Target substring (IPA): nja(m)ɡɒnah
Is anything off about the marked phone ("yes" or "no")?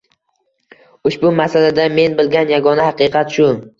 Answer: yes